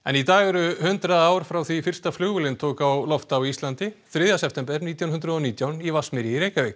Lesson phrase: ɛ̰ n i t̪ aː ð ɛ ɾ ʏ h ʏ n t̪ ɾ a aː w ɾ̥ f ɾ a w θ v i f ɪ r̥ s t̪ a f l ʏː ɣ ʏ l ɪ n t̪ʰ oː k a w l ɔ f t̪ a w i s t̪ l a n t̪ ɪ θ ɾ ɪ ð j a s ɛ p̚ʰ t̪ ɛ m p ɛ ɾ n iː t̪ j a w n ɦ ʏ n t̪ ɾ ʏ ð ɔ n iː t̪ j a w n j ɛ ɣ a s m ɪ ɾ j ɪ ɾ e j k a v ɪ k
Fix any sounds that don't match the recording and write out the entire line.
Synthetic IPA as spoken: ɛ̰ n i t̪ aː ɣ ɛ ɾ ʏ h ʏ n t̪ ɾ a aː w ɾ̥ f ɾ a w θ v i f ɪ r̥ s t̪ a f l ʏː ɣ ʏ l ɪ n t̪ʰ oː k a w l ɔ f t̪ a w i s t̪ l a n t̪ ɪ θ ɾ ɪ ð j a s ɛ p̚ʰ t̪ ɛ m p ɛ ɾ n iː t̪ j a w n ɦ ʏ n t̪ ɾ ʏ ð ɔ n iː t̪ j a w n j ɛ v a s m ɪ ɾ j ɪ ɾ e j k a v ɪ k